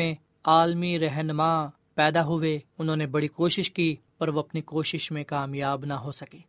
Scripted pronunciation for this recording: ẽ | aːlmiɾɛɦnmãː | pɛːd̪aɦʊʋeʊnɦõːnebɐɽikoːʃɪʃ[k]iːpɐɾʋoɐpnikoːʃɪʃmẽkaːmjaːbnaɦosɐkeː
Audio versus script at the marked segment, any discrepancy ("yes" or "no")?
no